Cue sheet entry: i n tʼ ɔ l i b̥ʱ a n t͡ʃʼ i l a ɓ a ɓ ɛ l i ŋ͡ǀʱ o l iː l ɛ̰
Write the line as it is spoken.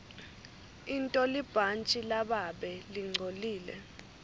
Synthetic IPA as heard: i n tʼ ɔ l i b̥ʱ a n t͡ʃʼ i l a ɓ a ɓ ɛ l i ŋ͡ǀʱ o l iː l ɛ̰